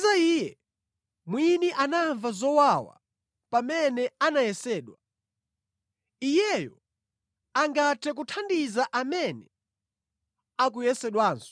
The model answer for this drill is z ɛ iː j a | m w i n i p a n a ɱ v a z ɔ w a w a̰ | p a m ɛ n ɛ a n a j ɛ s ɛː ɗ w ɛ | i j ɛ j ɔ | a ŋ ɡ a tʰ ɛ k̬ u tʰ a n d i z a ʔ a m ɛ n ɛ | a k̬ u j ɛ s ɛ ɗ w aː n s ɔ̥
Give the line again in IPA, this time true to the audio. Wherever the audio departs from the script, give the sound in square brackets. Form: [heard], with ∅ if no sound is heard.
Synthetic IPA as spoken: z [a] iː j [ɛ] | m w i n i [ʔ] a n a ɱ v a z ɔ w a w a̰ | p a m ɛ n ɛ a n a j ɛ s ɛː ɗ w [a] | i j ɛ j ɔ | a ŋ ɡ a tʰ ɛ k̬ u tʰ a n d i z a ʔ a m ɛ n ɛ | a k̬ u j ɛ s ɛ ɗ w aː n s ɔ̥

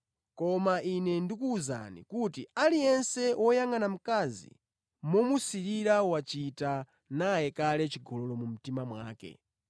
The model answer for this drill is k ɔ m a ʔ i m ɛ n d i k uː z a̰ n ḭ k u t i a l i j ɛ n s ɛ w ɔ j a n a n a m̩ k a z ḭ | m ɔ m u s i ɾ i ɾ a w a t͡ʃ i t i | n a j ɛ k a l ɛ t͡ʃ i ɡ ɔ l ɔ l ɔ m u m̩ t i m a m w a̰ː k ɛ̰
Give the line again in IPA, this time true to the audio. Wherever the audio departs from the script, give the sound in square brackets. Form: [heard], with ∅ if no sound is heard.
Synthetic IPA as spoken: k ɔ m a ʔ i [n] ɛ n d i k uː z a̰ n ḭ k u t i a l i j ɛ n s ɛ w ɔ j a [ŋ] a n a m̩ k a z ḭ | m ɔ m u s i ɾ i ɾ a w a t͡ʃ i t [a] | n a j ɛ k a l ɛ t͡ʃ i ɡ ɔ l ɔ l ɔ m u m̩ t i m a m w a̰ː k ɛ̰

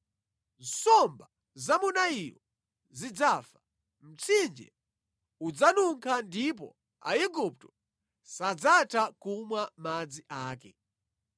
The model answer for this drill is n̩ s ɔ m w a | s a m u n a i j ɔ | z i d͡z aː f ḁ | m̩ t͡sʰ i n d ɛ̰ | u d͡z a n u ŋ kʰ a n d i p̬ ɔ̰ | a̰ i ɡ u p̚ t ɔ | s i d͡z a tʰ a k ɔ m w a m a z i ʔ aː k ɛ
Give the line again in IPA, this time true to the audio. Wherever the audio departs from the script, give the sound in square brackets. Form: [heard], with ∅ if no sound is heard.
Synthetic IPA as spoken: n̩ s ɔ m [b] a | [z] a m u n a i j ɔ | z i d͡z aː f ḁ | m̩ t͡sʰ i n [d͡ʒ] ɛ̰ | u d͡z a n u ŋ kʰ a n d i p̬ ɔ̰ | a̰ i ɡ u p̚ t ɔ | s [a] d͡z a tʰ a k [u] m w a m a [d͡z] i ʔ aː k ɛ

